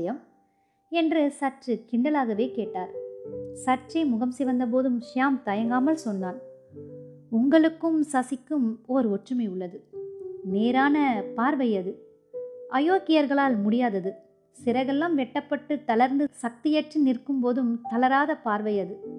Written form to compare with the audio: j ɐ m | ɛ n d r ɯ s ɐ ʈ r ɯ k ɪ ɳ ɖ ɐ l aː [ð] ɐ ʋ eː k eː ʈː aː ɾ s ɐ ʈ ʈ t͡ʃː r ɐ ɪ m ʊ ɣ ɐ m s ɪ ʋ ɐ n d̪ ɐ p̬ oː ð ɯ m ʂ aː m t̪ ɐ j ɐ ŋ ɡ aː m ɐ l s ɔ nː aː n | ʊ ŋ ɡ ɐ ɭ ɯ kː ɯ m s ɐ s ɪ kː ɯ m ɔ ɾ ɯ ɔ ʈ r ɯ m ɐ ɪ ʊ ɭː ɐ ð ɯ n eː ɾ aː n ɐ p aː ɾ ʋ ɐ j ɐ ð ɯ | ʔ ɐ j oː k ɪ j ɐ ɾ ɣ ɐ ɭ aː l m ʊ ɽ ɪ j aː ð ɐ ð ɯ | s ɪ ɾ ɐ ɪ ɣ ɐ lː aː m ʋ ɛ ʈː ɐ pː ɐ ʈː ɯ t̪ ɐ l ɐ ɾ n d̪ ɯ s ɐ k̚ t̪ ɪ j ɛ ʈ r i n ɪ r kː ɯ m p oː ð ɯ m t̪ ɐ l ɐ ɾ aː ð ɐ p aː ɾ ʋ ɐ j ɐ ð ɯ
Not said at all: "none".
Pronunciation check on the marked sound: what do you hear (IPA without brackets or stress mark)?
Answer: ɣ